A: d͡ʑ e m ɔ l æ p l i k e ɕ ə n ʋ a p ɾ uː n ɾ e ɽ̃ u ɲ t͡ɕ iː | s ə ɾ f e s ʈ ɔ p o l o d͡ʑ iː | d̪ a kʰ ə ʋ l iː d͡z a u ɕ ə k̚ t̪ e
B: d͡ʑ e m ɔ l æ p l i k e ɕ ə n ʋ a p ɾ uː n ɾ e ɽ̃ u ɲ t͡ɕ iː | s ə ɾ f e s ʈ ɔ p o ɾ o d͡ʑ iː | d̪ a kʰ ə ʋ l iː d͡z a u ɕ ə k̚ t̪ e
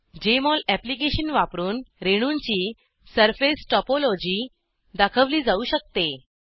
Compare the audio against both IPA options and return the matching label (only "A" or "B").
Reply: A